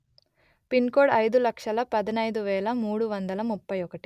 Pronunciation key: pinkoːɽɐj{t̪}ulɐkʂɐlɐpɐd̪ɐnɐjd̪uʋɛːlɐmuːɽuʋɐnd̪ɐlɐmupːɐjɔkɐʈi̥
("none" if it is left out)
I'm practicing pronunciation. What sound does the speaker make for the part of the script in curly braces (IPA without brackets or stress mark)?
d̪